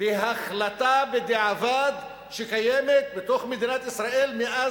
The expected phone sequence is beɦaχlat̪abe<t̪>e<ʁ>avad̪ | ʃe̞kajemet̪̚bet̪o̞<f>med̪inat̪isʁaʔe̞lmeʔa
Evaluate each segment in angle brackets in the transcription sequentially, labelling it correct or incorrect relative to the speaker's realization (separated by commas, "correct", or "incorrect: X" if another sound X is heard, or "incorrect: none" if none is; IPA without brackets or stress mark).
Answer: incorrect: d̪, incorrect: ʕ, incorrect: χ